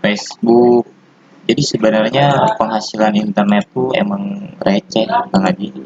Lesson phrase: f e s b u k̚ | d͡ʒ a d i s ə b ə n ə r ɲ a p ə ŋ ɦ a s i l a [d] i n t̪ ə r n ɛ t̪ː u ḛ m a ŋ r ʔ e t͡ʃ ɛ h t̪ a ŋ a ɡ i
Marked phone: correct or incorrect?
incorrect